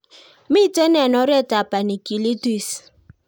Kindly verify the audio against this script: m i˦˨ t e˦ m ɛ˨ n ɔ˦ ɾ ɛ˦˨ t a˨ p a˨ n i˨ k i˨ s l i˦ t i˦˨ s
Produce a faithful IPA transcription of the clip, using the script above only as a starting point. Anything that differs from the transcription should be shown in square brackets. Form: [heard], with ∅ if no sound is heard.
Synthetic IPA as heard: m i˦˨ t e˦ [n] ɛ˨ n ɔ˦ ɾ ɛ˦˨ t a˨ p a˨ n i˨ k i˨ [∅] l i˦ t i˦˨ s